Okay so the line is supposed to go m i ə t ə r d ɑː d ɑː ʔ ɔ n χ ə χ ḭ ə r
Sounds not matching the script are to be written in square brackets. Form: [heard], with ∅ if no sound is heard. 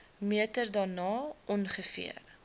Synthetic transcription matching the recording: m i ə t ə r d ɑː [n] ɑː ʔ ɔ n χ ə [f] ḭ ə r